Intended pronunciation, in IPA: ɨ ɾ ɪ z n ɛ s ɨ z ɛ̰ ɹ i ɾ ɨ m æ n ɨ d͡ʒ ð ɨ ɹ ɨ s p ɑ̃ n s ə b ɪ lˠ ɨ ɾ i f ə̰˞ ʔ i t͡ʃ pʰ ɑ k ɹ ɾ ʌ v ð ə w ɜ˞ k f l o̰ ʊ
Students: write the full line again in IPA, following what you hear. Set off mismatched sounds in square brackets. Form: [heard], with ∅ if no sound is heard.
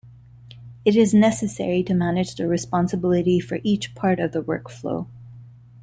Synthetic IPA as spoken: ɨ ɾ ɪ z n ɛ s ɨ [s] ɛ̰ ɹ i ɾ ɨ m æ n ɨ d͡ʒ ð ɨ ɹ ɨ s p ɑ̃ n s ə b ɪ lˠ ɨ ɾ i f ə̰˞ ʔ i t͡ʃ pʰ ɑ [∅] ɹ ɾ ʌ v ð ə w ɜ˞ k f l o̰ ʊ